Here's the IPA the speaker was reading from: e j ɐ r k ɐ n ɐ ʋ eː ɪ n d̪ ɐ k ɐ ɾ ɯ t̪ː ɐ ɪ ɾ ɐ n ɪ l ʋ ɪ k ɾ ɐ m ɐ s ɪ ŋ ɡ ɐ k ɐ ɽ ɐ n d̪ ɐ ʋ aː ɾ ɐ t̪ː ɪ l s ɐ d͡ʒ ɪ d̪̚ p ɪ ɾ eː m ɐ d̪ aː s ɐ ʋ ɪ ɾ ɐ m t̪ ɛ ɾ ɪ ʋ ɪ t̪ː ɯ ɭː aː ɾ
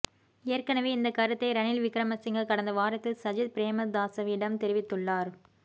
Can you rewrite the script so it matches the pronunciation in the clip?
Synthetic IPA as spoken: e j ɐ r k ɐ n ɐ ʋ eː ɪ n d̪ ɐ k ɐ ɾ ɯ t̪ː ɐ ɪ ɾ ɐ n ɪ l ʋ ɪ k ɾ ɐ m ɐ s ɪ ŋ ɡ ɐ k ɐ ɽ ɐ n d̪ ɐ ʋ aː ɾ ɐ t̪ː ɪ l s ɐ d͡ʒ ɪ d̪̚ p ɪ ɾ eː m ɐ d̪ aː s ɐ ʋ ɪ ɽ ɐ m t̪ ɛ ɾ ɪ ʋ ɪ t̪ː ɯ ɭː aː ɾ